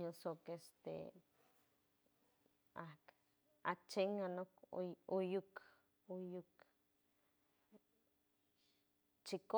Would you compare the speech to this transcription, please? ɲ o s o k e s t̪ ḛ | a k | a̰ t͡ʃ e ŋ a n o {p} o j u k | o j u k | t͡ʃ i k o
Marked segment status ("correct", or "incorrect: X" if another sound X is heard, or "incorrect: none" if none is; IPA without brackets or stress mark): incorrect: k